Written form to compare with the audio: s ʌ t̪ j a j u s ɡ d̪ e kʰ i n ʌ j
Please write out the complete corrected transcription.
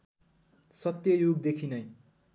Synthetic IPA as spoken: s ʌ t̪ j ʌ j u ɡ d̪ e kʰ i n ʌ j